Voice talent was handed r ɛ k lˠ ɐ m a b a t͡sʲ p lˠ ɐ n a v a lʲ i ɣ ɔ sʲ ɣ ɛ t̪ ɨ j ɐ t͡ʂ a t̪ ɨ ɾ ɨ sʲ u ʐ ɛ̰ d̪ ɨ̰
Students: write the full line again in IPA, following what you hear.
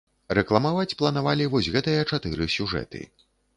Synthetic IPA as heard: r ɛ k lˠ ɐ m a v a t͡sʲ p lˠ ɐ n a v a lʲ i v ɔ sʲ ɣ ɛ t̪ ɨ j ɐ t͡ʂ a t̪ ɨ ɾ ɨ sʲ u ʐ ɛ̰ t̪ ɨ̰